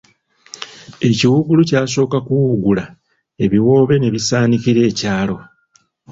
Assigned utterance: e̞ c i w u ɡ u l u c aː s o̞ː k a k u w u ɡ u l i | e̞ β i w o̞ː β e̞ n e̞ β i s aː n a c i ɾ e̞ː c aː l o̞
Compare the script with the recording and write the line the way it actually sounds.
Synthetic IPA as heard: e̞ c i w u ɡ u l u c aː s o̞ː k a k u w u ɡ u l a | e̞ β i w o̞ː β e̞ n e̞ β i s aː n i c i ɾ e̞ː c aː l o̞